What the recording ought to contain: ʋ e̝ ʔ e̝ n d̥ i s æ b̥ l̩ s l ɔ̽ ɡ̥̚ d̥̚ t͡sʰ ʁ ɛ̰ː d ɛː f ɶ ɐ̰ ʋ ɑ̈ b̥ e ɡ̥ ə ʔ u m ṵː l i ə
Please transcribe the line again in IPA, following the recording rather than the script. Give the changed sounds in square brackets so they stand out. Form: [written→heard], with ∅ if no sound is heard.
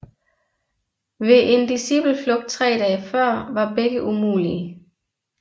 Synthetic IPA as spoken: ʋ e̝ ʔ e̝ n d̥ i s [æ→i] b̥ l̩ [s→f] l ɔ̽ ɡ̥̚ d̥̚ t͡sʰ ʁ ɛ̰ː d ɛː f ɶ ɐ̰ ʋ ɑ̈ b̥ e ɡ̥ ə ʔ u m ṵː l i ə